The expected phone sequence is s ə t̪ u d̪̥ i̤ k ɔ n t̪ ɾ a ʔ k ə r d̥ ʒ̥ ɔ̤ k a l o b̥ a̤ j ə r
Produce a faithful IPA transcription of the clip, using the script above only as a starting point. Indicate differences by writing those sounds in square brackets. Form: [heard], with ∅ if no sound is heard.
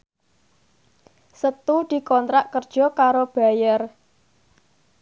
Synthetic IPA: s ə t̪ u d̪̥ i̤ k ɔ n t̪ ɾ a ʔ k ə r d̥ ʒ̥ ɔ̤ k a [ɾ] o b̥ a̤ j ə r